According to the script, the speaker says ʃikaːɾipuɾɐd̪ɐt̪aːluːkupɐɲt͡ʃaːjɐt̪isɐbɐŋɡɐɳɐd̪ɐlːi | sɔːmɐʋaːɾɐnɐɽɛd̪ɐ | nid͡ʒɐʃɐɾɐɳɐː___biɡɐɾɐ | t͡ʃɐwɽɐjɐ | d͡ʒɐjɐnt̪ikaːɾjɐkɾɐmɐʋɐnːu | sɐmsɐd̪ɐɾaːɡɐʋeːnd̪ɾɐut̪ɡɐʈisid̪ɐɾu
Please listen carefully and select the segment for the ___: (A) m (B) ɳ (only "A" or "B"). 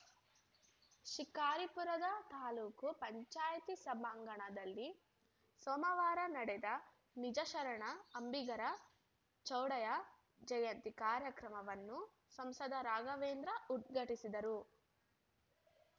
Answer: A